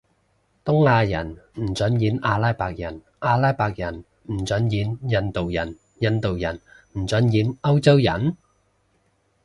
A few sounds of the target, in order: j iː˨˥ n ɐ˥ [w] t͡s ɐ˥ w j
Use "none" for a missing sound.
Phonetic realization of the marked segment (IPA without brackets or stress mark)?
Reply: w